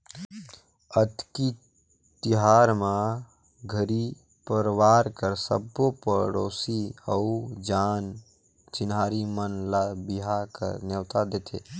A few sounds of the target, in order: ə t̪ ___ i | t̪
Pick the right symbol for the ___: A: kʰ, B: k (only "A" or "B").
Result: B